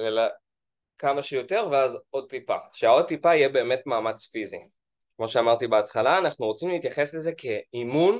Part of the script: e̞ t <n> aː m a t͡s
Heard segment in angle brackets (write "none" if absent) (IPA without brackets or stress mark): m